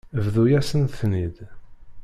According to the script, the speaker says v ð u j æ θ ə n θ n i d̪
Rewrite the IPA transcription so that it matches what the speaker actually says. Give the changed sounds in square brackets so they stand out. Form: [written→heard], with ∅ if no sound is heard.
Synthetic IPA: v ð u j æ [θ→s] ə n θ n i d̪